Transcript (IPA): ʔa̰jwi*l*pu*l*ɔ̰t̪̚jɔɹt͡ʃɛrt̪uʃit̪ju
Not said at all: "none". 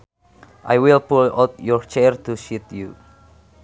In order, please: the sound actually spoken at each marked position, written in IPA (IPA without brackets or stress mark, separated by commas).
l, l